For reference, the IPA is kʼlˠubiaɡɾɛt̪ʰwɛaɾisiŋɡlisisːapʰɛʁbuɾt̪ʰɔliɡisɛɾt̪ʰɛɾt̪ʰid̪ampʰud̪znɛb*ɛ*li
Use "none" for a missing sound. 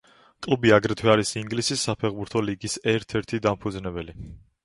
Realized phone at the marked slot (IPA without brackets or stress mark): ɛ